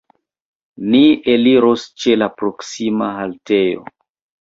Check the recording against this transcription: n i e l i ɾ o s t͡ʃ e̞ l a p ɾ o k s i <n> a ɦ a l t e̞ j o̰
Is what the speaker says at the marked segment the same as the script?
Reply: no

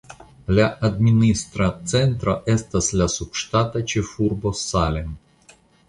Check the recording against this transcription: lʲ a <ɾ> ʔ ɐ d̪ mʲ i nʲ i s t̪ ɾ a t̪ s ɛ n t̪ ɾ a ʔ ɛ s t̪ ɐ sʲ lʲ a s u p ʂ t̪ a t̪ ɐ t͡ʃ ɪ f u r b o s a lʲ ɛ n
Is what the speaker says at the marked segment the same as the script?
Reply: no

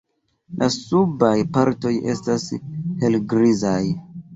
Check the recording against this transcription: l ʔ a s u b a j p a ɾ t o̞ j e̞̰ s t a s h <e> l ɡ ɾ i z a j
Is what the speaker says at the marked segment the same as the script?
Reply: yes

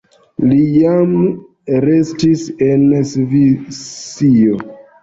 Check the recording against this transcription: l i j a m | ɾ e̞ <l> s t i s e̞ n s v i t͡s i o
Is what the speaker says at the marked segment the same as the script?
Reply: no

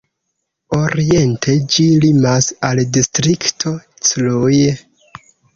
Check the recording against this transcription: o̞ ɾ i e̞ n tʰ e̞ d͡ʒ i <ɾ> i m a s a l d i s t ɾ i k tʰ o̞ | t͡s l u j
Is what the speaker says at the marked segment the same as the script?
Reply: no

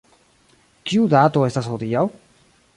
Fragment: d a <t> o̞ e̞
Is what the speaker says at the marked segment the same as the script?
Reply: yes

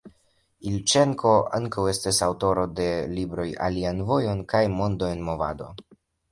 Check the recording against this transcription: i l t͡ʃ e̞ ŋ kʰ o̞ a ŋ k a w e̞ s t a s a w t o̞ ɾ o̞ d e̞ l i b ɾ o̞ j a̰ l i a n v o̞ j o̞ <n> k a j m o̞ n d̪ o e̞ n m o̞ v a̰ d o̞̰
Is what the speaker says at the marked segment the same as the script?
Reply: yes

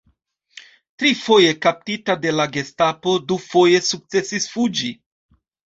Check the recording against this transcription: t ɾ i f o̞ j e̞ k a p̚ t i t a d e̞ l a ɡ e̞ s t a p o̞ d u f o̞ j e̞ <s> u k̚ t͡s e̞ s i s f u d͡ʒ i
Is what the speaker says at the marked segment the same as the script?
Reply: yes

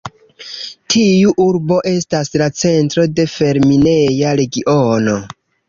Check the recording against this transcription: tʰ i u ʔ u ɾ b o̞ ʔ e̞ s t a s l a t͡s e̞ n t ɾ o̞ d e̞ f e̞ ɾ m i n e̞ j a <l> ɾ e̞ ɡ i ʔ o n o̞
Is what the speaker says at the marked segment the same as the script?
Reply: no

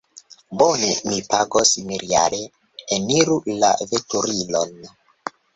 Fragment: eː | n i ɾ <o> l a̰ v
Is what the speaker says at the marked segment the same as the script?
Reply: no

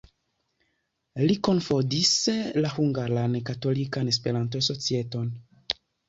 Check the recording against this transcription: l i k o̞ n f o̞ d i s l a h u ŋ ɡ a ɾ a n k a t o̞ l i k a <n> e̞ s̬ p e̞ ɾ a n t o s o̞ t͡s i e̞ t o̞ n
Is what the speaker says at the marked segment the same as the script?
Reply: yes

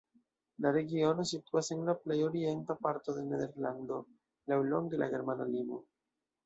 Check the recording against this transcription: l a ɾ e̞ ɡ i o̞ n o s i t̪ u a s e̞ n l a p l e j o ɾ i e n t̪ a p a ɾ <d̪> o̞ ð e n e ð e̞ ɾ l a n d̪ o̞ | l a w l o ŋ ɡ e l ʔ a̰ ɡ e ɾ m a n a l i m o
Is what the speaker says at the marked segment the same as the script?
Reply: no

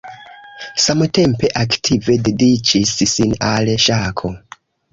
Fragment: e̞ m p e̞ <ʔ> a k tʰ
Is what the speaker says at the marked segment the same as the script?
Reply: yes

